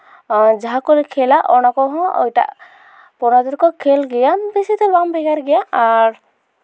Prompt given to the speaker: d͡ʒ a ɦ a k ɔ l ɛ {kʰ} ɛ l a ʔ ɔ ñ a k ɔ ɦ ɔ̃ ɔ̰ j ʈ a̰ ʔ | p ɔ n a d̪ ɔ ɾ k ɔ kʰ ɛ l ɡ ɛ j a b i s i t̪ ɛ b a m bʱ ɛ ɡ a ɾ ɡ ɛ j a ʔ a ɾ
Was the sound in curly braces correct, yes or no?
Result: yes